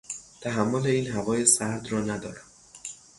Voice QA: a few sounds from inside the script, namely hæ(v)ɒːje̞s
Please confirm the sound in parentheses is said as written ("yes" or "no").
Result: yes